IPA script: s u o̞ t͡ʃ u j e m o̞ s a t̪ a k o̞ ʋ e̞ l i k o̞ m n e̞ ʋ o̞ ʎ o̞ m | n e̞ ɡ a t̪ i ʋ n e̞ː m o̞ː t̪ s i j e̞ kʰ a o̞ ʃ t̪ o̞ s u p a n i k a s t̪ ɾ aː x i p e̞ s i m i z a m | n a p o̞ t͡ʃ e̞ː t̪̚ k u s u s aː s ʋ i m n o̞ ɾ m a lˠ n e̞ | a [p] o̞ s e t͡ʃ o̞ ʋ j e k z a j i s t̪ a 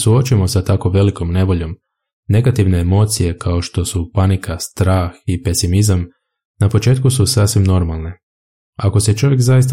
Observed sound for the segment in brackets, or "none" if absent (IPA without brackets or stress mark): k